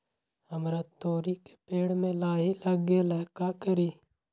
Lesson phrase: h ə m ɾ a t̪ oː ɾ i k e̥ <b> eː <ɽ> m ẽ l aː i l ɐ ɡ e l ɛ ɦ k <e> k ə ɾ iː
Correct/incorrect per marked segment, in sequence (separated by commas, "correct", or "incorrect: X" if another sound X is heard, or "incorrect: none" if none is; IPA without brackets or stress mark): incorrect: p, correct, incorrect: a